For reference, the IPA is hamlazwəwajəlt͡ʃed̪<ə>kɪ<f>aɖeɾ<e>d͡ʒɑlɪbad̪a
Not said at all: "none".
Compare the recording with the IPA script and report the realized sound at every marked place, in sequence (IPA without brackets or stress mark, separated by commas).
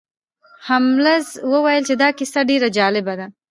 ɑ, s, a